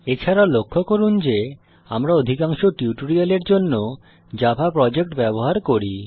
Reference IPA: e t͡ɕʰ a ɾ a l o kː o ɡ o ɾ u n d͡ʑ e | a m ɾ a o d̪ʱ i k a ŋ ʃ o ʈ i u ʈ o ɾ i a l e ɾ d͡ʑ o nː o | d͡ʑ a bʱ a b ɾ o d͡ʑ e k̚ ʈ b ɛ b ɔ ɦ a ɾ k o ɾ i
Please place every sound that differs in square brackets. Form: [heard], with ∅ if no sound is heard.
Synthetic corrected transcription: e t͡ɕʰ a ɾ a l o [kʰː] o [k] o ɾ u n d͡ʑ e | a m ɾ a o d̪ʱ i k a ŋ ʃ o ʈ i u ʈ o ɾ i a l e ɾ d͡ʑ o nː o | d͡ʑ a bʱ a [p] ɾ [ɔ] d͡ʑ e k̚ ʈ b ɛ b [o] ɦ a ɾ k o ɾ i